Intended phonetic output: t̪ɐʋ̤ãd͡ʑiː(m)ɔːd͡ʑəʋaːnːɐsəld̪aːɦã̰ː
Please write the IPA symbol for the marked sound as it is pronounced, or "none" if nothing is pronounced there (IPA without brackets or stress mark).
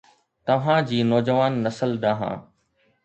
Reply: n